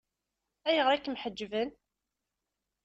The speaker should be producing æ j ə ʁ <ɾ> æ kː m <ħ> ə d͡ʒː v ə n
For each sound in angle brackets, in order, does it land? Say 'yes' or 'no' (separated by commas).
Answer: yes, yes